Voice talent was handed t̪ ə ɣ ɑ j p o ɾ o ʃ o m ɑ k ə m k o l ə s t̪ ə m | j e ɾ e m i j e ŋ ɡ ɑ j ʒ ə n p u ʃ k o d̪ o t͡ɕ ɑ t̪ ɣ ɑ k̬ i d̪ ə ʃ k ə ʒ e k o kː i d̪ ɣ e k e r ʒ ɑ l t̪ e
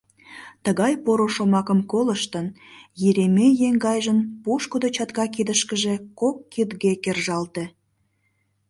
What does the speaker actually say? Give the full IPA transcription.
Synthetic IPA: t̪ ə ɣ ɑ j p o ɾ o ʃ o m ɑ k ə m k o l ə ʃ t̪ ə n | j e ɾ e m e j e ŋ ɡ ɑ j ʒ ə n p u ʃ k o d̪ o t͡ɕ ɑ t̪ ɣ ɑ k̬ i d̪ ə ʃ k ə ʒ e k o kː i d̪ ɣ e k e r ʒ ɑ l t̪ e